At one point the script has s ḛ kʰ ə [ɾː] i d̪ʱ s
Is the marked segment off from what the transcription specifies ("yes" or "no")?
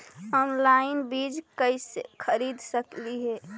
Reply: yes